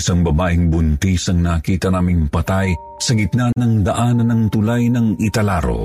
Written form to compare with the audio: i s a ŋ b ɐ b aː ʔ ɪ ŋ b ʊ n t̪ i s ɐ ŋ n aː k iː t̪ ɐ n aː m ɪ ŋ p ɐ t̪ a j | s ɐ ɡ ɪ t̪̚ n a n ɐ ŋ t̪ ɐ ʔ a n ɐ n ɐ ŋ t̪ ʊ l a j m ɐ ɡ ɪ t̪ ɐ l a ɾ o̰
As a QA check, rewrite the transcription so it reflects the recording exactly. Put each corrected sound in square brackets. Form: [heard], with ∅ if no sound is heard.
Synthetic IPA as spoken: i s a ŋ b ɐ b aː ʔ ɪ ŋ b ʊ n t̪ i s ɐ ŋ n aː k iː t̪ ɐ n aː m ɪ ŋ p ɐ t̪ a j | s ɐ ɡ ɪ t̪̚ n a n ɐ ŋ [d̪] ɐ ʔ a n ɐ n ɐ ŋ t̪ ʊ l a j [n] ɐ [ŋ] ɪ t̪ ɐ l a ɾ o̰